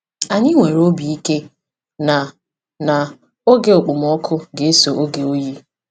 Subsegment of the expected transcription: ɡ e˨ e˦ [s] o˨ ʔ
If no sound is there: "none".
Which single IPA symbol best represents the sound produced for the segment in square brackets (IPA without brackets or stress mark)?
s